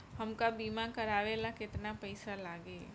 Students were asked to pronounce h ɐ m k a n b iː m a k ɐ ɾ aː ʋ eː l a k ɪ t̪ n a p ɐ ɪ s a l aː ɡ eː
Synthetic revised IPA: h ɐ m k a b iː m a k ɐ ɾ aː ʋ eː l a k ɪ t̪ n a p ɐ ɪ s a l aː ɡ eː